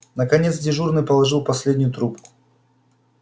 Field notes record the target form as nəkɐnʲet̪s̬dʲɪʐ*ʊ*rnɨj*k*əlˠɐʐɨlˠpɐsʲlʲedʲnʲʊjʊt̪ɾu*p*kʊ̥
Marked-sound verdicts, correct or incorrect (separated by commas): incorrect, incorrect, correct